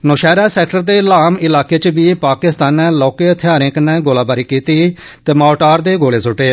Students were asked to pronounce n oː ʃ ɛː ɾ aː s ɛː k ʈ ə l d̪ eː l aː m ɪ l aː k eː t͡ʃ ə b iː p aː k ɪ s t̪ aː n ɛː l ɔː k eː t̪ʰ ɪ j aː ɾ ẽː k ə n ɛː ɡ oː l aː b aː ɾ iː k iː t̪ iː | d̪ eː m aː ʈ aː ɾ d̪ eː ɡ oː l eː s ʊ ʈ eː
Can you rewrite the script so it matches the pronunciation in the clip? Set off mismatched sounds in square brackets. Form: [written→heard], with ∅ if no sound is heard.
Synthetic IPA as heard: n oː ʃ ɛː ɾ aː s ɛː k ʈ ə [l→ɾ] d̪ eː l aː m ɪ l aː k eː t͡ʃ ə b iː p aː k ɪ s t̪ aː n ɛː l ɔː k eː t̪ʰ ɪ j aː ɾ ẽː k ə n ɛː ɡ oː l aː b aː ɾ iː k iː t̪ iː | [d̪→t̪] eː m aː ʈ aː ɾ d̪ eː ɡ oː l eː s ʊ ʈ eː